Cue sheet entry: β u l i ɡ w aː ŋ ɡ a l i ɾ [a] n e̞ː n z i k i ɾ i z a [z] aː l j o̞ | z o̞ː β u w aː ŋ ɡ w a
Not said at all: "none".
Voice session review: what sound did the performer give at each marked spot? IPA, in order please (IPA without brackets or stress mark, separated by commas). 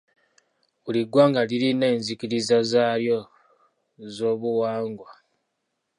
i, z